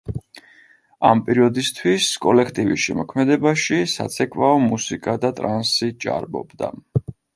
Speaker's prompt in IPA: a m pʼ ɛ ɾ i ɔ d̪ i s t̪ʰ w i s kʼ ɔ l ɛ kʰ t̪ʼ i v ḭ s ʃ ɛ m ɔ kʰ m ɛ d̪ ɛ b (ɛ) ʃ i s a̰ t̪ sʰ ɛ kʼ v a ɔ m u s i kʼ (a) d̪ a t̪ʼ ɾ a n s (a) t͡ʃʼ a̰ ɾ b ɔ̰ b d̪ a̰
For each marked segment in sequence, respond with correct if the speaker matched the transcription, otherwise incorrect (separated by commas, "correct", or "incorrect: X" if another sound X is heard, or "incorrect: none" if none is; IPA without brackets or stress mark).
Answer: incorrect: a, correct, incorrect: i